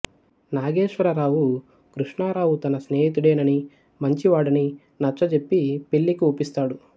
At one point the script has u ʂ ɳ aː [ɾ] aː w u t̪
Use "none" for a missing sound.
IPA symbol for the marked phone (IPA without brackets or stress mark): ɾ